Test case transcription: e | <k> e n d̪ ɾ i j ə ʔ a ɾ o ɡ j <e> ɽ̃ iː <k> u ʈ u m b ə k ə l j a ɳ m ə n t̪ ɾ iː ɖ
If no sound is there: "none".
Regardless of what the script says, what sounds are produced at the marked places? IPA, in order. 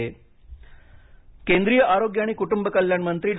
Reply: k, a, k

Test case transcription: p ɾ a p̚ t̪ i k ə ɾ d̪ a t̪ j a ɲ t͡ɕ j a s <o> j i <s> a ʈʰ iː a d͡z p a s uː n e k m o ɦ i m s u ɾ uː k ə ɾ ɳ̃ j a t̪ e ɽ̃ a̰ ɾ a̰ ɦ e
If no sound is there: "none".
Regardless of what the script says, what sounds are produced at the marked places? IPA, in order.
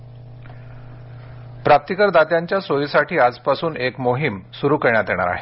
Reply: o, s

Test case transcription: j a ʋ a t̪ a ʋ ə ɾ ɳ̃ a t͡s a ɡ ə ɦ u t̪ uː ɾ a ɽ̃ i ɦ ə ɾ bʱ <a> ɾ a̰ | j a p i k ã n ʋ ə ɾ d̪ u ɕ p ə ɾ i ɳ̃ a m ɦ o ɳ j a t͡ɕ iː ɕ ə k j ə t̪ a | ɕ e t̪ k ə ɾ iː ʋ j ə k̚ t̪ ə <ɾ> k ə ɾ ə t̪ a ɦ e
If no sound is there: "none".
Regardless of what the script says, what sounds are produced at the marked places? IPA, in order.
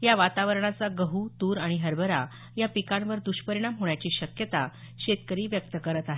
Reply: ə, none

